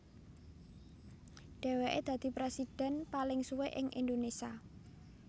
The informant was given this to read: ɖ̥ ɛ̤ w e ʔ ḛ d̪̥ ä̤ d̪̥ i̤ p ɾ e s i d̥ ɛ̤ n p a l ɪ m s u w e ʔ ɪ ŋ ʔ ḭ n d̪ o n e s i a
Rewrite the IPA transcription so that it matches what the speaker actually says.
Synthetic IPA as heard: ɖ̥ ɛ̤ w e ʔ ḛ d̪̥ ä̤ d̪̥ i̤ p ɾ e s i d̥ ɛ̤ n p a l ɪ ŋ s u w e ʔ ɪ ŋ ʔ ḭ n d̪ o n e s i a